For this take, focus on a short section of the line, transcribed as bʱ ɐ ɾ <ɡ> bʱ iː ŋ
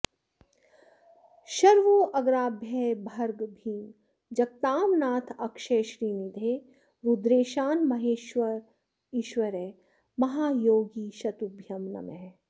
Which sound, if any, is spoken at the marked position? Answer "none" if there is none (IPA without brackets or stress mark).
ɡ